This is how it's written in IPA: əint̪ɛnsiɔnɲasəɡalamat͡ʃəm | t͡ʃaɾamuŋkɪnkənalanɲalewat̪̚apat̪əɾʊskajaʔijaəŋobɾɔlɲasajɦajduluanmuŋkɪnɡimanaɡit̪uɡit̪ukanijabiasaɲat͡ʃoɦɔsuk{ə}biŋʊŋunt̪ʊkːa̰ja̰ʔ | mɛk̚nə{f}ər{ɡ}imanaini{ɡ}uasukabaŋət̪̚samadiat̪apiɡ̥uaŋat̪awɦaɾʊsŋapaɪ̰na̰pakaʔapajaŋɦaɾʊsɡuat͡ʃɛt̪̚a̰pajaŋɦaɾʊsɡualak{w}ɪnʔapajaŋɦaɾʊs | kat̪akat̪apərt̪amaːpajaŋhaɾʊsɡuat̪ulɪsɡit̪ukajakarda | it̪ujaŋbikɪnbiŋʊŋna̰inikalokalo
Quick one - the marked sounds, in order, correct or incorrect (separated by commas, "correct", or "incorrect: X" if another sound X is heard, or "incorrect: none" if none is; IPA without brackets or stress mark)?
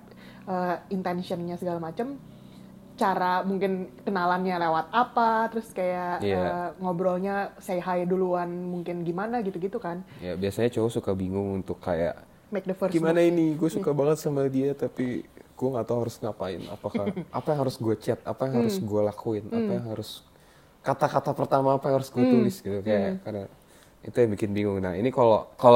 incorrect: a, correct, correct, correct, incorrect: u